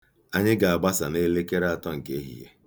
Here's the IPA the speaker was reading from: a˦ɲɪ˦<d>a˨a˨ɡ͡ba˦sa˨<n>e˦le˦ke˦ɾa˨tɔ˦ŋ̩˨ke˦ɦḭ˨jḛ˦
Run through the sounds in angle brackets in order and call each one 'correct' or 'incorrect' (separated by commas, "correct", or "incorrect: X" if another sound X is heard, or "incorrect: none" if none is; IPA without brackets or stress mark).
incorrect: ɡ, correct